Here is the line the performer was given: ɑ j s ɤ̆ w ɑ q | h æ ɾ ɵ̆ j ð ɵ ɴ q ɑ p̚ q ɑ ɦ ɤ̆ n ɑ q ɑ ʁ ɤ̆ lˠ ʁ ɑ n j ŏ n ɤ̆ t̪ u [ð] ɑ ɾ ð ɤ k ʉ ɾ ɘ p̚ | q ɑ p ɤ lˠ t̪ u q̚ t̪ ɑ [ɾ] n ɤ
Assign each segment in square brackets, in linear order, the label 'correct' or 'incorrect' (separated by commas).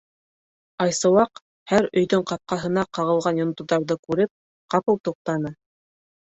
correct, incorrect